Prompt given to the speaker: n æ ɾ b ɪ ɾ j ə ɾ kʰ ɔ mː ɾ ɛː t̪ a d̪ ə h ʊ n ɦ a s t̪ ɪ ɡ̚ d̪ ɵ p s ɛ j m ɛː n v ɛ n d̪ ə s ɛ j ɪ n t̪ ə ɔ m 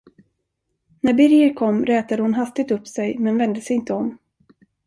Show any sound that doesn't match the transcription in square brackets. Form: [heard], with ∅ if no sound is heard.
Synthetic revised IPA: n æ ɾ b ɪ ɾ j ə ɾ kʰ ɔ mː ɾ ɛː t̪ a d̪ ə h ʊ n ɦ a s t̪ ɪ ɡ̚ [t̪] ɵ p s ɛ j m [ɛ] n v ɛ n d̪ ə s ɛ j ɪ n t̪ ə ɔ m